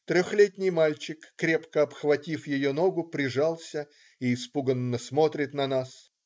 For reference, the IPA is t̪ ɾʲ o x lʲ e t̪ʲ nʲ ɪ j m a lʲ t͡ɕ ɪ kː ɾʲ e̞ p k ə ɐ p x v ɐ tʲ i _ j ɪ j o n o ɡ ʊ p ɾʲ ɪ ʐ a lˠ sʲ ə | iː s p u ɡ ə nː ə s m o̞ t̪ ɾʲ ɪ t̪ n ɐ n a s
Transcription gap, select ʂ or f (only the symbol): f